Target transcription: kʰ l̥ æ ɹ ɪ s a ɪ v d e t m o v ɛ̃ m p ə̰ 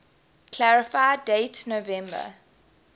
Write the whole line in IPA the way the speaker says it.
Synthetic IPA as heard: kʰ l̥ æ ɹ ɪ f a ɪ d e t n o v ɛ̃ m b ə̰